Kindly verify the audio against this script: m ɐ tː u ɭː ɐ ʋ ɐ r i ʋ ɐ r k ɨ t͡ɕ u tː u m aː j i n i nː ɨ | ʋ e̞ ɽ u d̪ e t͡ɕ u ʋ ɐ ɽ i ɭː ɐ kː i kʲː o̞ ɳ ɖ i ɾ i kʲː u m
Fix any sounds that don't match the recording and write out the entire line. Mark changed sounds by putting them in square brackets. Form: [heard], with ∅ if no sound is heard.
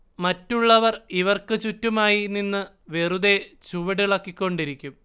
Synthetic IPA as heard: m ɐ tː u ɭː ɐ ʋ ɐ r i ʋ ɐ r k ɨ t͡ɕ u tː u m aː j i n i nː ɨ | ʋ e̞ [r] u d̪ e t͡ɕ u ʋ ɐ ɽ i [ɭ] ɐ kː i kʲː o̞ ɳ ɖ i ɾ i kʲː u m